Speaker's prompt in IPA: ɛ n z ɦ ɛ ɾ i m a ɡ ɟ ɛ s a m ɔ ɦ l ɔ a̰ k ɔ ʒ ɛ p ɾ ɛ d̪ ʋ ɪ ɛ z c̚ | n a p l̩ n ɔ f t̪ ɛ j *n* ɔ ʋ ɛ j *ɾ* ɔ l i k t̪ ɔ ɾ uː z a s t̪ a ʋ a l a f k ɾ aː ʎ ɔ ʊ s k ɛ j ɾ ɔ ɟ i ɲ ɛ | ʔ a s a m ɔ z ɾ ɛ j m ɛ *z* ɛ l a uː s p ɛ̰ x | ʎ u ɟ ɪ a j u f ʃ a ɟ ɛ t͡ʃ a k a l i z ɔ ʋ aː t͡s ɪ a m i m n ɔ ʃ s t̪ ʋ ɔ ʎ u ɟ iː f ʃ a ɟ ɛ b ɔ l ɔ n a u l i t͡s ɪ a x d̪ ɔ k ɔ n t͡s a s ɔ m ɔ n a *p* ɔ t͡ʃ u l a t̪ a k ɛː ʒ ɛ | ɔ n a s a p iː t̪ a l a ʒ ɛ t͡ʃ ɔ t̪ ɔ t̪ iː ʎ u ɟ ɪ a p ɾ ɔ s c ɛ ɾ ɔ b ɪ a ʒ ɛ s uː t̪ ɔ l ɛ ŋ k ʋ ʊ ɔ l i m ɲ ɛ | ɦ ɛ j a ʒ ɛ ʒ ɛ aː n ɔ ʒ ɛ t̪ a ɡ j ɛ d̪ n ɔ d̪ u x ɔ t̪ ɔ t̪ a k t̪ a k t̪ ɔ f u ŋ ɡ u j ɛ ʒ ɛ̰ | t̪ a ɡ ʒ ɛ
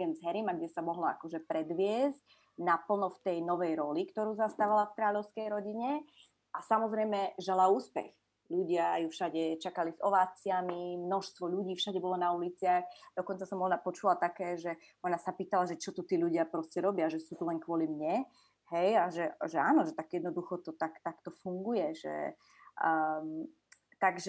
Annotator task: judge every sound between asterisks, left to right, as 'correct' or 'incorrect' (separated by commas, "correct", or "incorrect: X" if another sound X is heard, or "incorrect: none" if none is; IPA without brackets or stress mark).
correct, correct, incorrect: ʒ, correct